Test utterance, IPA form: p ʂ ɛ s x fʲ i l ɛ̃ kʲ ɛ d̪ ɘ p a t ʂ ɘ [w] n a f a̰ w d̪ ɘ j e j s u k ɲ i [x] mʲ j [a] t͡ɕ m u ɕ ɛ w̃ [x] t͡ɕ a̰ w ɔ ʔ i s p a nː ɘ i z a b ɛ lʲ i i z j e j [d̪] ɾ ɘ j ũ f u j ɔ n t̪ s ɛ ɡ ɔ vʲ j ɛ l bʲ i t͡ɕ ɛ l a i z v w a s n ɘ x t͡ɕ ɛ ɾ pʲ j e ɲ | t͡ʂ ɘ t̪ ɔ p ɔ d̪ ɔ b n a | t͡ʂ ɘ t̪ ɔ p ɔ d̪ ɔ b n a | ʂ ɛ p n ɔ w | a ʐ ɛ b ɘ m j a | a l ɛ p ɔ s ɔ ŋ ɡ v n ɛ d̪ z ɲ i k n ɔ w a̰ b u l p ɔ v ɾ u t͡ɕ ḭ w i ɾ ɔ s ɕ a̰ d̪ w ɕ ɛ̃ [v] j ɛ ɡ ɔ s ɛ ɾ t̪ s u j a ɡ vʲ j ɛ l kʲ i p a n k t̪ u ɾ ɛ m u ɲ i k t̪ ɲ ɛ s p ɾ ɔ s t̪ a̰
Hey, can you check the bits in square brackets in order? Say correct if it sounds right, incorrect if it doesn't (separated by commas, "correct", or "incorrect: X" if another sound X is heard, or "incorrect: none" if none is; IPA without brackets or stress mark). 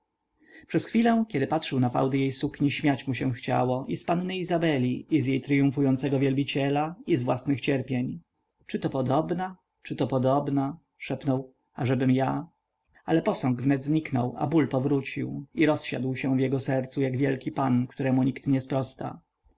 correct, incorrect: ɕ, correct, correct, incorrect: t̪, correct